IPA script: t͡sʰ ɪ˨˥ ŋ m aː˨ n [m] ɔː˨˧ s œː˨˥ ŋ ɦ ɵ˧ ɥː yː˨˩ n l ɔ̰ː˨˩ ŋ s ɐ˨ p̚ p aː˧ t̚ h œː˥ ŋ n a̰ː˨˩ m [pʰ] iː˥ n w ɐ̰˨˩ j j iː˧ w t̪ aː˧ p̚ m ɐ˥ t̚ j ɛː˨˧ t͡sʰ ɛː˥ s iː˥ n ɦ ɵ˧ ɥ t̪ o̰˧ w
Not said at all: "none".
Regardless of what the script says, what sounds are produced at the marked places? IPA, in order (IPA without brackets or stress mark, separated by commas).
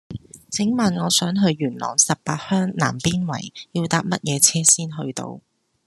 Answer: ŋ, p